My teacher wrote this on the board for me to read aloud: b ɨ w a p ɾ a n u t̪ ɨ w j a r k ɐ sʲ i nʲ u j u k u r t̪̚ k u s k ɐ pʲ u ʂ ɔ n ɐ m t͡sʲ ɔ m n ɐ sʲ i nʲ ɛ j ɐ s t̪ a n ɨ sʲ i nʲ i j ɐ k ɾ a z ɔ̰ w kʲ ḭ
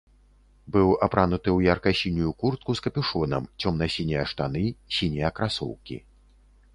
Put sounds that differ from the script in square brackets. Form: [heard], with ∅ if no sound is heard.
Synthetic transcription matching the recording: b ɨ w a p ɾ a n u t̪ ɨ w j a r k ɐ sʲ i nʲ u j u k u r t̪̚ k u s k ɐ pʲ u ʂ ɔ n ɐ m t͡sʲ ɔ m n ɐ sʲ i nʲ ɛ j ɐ [ʂ] t̪ a n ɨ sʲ i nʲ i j ɐ k ɾ a [s] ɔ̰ w kʲ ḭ